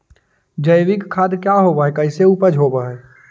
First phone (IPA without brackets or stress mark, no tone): d͡ʒ